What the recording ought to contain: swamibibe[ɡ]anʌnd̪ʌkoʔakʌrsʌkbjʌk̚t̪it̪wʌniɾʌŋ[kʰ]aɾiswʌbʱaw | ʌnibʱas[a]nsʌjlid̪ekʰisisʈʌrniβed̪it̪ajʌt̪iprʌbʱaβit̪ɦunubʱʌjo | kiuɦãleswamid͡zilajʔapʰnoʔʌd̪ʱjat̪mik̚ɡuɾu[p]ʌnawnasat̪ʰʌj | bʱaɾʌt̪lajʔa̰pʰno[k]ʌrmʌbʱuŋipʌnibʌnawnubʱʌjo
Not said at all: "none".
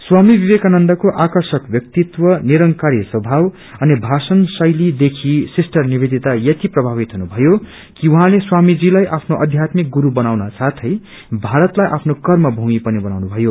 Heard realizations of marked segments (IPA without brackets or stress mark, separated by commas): k, k, ʌ, b, k